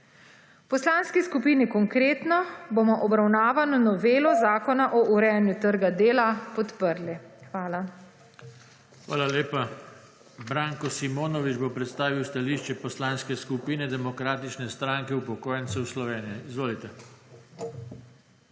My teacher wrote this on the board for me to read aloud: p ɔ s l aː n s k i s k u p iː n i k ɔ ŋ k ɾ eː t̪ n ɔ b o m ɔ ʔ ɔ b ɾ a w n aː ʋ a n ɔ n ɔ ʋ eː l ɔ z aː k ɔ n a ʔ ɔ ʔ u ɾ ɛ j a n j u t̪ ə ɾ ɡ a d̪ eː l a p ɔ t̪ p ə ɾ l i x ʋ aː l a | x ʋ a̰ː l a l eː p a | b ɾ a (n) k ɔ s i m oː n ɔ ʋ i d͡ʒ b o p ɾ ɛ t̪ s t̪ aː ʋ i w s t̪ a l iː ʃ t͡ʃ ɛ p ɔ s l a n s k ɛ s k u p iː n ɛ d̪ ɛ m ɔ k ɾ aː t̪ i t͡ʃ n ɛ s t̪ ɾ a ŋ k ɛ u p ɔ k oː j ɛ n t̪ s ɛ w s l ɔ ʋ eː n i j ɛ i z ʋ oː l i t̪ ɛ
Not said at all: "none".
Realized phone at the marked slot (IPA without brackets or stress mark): ŋ